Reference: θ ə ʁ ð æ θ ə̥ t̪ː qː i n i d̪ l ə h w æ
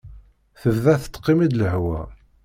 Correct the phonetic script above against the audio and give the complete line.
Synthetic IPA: θ ə v ð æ θ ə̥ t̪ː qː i m i d̪ l ə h w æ

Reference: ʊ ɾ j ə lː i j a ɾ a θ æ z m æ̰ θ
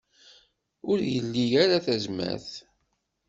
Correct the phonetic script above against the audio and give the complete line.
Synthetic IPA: ʊ ɾ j ə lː i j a ɾ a θ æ z m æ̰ θ

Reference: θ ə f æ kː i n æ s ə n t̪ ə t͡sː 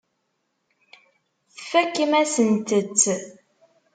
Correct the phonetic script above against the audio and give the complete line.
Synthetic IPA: θ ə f æ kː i m æ s ə n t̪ ə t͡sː

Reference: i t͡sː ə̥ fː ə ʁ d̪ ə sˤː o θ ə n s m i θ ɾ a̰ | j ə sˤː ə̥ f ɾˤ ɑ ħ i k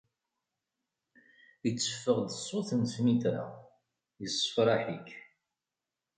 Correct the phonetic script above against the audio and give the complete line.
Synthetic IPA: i t͡sː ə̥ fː ə ʁ d̪ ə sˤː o θ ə n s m i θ ɾ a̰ | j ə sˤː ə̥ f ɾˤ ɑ ħ i k

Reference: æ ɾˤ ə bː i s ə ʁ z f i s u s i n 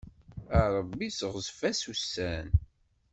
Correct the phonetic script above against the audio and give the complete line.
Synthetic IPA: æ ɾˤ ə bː i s ə ʁ z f æ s u s æ n

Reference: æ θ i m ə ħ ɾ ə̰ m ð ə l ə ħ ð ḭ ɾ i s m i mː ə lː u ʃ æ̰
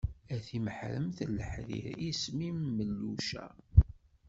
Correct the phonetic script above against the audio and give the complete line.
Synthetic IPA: æ θ i m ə ħ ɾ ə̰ m θ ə l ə ħ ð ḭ ɾ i s m i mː ə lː u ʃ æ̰

